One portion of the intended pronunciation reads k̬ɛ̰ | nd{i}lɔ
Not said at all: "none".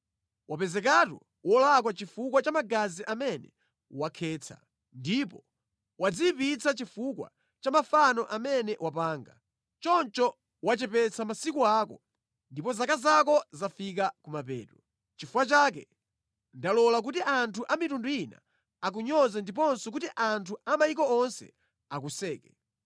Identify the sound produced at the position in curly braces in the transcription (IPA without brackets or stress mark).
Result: a